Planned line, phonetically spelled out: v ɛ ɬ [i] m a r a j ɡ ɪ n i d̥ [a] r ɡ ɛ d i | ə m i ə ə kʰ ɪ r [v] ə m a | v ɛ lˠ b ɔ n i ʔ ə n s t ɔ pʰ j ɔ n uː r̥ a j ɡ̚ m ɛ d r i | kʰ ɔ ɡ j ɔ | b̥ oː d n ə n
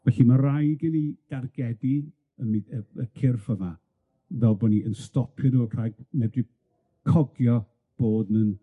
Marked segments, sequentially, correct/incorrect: correct, correct, incorrect: f

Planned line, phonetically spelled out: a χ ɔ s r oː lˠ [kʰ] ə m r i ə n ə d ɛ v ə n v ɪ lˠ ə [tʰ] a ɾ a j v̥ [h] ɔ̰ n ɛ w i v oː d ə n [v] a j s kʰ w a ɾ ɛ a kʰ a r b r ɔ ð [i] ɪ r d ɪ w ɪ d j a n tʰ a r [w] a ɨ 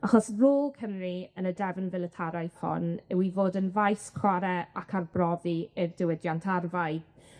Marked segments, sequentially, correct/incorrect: correct, correct, correct, correct, correct, incorrect: v

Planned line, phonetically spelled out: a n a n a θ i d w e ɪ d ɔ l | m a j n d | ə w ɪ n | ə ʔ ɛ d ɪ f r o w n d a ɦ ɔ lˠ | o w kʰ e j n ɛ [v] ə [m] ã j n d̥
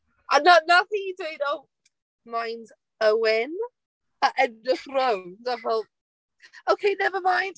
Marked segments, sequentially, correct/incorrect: correct, correct

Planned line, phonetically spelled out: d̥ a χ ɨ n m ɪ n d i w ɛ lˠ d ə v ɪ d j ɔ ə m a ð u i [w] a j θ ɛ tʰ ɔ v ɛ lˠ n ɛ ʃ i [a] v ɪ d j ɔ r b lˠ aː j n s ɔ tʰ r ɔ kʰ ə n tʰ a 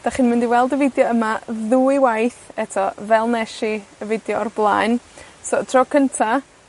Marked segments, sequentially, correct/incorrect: correct, incorrect: ə

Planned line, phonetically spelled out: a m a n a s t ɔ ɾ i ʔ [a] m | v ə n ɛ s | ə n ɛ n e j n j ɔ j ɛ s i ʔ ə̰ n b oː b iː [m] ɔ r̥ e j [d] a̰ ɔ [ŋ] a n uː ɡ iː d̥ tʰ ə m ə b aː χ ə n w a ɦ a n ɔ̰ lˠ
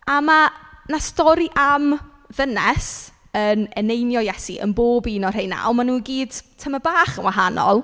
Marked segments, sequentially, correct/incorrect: correct, incorrect: n, incorrect: n, incorrect: m

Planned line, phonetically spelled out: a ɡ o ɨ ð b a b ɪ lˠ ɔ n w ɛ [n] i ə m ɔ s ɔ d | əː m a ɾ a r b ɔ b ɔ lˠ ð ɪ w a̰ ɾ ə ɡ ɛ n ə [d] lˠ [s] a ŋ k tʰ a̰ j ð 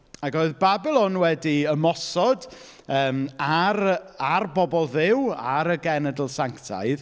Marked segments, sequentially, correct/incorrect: incorrect: d, correct, correct

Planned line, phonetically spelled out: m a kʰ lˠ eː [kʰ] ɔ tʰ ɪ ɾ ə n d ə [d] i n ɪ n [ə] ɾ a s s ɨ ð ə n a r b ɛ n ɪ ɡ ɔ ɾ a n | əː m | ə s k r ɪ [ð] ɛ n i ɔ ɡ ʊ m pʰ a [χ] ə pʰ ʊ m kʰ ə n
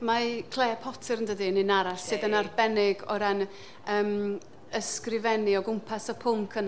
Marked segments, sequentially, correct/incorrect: incorrect: pʰ, correct, incorrect: a, incorrect: v, incorrect: s

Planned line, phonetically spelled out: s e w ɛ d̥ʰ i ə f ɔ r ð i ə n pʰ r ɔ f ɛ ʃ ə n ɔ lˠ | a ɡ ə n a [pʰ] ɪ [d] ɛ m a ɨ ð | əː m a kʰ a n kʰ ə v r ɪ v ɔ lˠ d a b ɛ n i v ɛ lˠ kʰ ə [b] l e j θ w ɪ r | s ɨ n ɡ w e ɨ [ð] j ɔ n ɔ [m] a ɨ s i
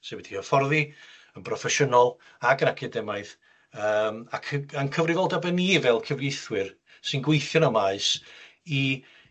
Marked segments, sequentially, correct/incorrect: incorrect: kʰ, correct, incorrect: v, incorrect: θ, correct

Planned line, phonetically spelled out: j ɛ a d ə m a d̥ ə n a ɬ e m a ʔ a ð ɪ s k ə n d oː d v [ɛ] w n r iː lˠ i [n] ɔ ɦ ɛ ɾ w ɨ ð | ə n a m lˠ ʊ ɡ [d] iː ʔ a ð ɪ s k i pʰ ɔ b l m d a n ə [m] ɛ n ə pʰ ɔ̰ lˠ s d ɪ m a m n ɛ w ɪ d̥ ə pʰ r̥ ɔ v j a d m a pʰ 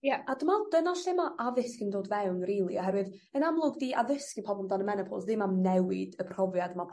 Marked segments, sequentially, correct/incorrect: correct, incorrect: none, correct, correct

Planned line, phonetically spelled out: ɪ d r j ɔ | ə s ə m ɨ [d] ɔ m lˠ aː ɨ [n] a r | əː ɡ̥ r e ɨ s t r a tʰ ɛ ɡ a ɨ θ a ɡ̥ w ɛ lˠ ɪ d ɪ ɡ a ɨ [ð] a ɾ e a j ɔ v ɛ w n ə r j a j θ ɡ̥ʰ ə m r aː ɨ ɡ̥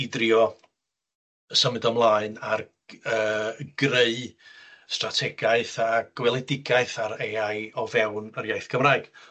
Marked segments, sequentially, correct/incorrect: correct, correct, incorrect: θ

